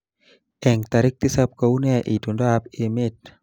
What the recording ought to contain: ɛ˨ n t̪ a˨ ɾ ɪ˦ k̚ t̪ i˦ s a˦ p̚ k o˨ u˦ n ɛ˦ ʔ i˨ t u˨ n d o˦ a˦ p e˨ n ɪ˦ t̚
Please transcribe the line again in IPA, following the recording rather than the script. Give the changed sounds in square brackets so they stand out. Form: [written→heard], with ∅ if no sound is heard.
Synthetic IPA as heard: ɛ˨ [n→ŋ] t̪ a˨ ɾ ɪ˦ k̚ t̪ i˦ s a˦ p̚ k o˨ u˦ n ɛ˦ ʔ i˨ t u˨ n d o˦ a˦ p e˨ [n→m] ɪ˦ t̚